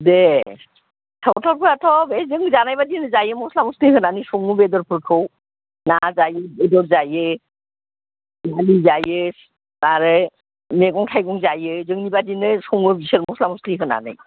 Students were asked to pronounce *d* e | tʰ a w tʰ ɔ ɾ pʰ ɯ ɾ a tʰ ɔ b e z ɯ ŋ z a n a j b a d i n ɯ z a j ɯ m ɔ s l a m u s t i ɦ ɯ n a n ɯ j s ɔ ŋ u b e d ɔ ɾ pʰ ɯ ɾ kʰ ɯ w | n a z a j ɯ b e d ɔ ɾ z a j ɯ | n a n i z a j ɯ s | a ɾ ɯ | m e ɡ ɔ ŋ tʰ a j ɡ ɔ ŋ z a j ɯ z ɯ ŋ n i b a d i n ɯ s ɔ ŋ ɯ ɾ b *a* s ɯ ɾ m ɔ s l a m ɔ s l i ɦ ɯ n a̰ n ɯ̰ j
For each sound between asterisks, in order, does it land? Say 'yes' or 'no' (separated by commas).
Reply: yes, no